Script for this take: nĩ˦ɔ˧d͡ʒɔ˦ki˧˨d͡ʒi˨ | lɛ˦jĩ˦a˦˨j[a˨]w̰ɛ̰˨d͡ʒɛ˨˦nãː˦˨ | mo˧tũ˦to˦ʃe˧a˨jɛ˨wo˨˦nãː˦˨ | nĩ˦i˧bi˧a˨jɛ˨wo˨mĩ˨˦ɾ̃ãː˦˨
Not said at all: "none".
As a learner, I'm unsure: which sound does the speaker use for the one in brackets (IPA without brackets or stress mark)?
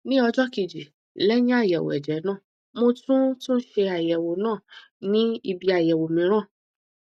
ɛ˨